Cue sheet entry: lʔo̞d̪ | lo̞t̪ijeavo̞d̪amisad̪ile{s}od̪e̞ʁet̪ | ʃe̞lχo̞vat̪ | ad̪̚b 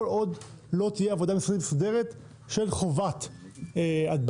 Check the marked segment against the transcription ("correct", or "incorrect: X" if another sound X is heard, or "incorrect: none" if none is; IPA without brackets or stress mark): correct